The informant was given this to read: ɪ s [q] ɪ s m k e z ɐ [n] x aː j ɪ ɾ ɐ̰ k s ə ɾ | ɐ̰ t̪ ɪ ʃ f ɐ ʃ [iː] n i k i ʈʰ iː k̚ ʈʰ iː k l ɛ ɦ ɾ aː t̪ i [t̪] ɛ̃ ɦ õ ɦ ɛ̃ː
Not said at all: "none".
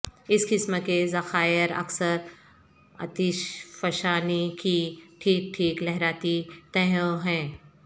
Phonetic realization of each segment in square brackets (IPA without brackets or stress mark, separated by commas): k, none, aː, t̪